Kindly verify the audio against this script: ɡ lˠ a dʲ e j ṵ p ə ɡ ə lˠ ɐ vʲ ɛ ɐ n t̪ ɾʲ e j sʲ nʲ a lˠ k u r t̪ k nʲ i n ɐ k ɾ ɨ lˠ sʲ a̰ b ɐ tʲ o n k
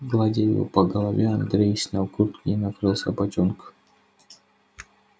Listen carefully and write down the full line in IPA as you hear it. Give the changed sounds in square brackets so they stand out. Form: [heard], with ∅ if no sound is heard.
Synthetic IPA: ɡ lˠ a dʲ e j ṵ p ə ɡ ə lˠ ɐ vʲ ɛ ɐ n [d̪] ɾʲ e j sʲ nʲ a lˠ k u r t̪ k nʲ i n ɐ k ɾ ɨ lˠ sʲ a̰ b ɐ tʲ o n k